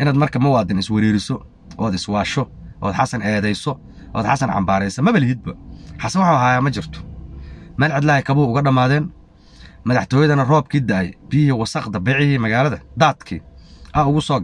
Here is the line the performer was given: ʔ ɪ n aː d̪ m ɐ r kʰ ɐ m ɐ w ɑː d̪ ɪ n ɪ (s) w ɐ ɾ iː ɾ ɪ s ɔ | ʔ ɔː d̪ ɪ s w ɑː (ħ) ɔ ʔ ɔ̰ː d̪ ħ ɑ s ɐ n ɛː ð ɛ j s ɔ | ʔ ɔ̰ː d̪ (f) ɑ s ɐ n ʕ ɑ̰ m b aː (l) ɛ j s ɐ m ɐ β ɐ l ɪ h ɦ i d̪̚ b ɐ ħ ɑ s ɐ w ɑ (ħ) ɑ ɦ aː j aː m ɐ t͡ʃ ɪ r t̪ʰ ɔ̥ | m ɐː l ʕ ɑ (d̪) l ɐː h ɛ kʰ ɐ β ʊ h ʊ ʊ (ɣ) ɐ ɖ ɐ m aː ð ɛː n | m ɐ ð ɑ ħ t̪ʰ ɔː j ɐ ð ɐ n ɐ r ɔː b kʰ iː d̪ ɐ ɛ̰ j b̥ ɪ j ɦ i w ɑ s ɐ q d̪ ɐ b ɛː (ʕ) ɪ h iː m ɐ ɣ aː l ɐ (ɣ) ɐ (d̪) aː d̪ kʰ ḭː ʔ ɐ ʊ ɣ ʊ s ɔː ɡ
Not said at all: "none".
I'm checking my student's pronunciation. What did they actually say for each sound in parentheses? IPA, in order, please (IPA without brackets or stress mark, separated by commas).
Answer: s, ʃ, ħ, ɾ, ħ, d̪, ɣ, ʕ, ð, d̪